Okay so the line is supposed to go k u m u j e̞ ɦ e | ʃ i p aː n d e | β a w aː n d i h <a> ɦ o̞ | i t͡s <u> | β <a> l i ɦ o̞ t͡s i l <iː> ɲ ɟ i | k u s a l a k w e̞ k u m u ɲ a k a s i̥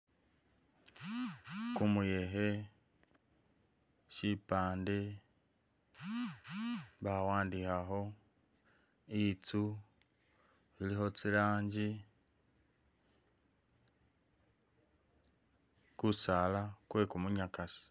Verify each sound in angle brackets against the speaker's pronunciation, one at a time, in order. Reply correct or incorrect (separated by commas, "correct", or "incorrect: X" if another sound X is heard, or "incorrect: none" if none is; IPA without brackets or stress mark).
correct, correct, incorrect: i, incorrect: aː